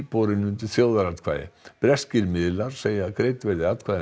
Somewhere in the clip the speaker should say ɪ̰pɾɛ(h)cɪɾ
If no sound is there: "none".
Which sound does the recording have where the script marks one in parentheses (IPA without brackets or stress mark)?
s